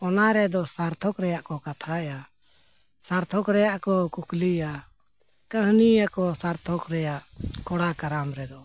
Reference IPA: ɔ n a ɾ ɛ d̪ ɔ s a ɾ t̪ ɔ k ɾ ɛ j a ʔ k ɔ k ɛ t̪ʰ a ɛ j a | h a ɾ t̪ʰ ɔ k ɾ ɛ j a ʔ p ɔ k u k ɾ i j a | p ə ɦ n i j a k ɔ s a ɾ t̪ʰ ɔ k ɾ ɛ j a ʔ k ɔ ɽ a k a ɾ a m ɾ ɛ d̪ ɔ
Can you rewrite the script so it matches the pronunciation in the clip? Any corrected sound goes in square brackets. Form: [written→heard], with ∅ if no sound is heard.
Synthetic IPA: ɔ n a ɾ ɛ d̪ ɔ s a ɾ [t̪→t̪ʰ] ɔ k ɾ ɛ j a ʔ k ɔ k [ɛ→a] t̪ʰ a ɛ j a | [h→s] a ɾ t̪ʰ ɔ k ɾ ɛ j a ʔ [p→k] ɔ k u k [ɾ→l] i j a | [p→k] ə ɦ n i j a k ɔ s a ɾ t̪ʰ ɔ k ɾ ɛ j a ʔ k ɔ ɽ a k a ɾ a m ɾ ɛ d̪ ɔ